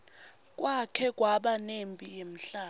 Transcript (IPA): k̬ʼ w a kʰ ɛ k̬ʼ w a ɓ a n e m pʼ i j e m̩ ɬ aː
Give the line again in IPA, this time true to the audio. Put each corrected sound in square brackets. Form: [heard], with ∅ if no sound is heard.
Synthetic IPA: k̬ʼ w a kʰ ɛ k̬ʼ w a ɓ a n e m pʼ i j e m̩ ɬ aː